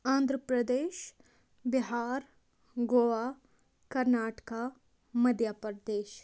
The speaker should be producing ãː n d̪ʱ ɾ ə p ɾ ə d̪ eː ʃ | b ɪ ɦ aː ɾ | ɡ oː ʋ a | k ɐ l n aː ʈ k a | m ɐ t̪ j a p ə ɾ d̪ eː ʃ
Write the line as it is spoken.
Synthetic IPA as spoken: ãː n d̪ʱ ɾ ə p ɾ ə d̪ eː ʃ | b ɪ ɦ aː ɾ | ɡ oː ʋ a | k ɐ ɾ n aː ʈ k a | m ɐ d̪ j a p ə ɾ d̪ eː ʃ